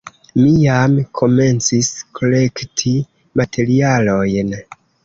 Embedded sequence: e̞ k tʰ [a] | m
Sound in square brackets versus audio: incorrect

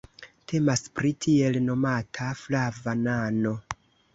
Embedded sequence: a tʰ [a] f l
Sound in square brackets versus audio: correct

